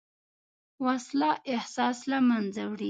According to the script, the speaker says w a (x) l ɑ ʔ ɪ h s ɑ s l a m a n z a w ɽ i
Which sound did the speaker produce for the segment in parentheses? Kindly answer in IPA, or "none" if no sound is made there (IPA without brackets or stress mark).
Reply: s